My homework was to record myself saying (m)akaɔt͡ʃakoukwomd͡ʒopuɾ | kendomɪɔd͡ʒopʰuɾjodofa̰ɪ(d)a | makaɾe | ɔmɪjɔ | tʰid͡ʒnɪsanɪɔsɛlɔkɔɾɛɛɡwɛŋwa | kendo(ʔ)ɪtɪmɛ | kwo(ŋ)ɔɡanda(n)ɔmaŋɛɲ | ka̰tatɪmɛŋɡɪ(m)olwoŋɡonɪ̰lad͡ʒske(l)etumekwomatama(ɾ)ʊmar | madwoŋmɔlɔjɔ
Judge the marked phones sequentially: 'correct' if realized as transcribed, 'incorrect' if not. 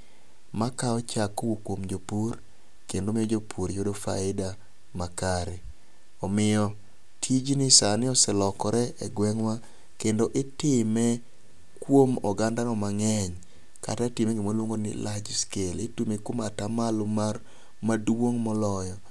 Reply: correct, correct, correct, incorrect, correct, correct, correct, incorrect

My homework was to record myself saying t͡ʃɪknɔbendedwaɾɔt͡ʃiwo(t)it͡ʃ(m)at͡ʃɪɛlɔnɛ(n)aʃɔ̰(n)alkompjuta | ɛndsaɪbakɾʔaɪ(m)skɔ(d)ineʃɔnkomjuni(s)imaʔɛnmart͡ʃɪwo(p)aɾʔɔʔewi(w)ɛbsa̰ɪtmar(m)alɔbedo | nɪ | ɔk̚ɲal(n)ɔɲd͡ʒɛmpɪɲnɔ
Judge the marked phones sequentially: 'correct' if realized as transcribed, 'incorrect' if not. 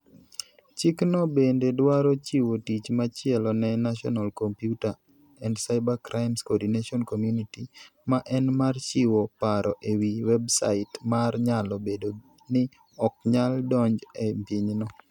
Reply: correct, correct, correct, correct, correct, correct, incorrect, correct, correct, incorrect, incorrect

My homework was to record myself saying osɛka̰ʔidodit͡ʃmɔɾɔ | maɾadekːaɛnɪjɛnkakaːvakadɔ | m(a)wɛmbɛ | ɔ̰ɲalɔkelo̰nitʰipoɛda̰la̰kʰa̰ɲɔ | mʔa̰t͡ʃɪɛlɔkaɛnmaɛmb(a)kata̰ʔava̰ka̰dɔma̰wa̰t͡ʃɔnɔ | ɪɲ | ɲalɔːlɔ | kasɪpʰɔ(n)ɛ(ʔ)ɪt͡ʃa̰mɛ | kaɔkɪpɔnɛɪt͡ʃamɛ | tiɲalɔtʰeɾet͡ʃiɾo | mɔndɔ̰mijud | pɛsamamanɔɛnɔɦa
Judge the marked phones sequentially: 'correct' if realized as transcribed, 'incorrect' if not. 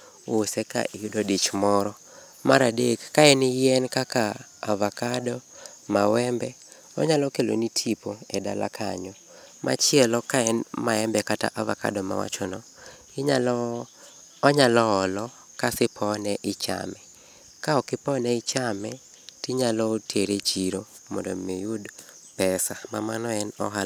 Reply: correct, incorrect, correct, correct

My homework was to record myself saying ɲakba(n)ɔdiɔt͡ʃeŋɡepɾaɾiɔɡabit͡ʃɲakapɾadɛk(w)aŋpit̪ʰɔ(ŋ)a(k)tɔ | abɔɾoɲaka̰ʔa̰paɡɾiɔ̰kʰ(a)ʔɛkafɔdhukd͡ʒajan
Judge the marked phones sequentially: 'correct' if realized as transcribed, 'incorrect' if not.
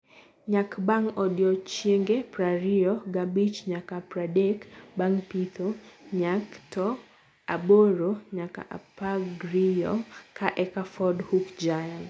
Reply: incorrect, incorrect, incorrect, correct, correct

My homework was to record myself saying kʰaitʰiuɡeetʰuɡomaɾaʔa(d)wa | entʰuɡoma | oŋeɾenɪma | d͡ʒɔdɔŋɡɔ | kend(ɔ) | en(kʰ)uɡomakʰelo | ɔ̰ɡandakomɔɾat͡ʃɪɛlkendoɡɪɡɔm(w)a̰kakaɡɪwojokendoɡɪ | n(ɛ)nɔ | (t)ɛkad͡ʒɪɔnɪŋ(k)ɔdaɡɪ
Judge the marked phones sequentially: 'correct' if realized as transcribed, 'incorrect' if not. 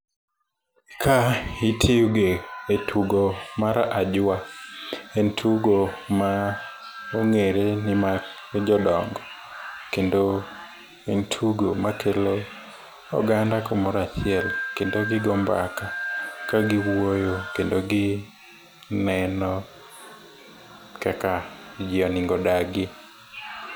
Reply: incorrect, incorrect, incorrect, incorrect, correct, incorrect, incorrect

